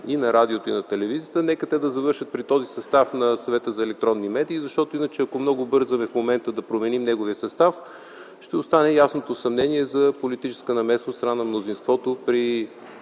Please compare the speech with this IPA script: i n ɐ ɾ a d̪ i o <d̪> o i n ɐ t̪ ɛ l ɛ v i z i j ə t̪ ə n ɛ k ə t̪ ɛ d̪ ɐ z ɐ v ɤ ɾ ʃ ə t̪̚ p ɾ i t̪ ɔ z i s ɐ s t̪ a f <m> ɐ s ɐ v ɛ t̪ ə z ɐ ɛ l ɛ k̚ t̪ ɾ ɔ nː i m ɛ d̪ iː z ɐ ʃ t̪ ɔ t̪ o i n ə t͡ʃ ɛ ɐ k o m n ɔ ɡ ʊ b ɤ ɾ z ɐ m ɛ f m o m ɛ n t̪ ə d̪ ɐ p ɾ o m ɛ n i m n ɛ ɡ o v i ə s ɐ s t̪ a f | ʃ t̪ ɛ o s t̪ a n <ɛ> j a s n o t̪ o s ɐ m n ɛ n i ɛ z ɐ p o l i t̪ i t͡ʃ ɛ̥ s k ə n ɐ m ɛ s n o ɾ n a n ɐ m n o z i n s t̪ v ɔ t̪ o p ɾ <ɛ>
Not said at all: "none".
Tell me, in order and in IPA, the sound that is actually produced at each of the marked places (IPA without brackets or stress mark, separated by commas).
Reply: t̪, n, ɛ, i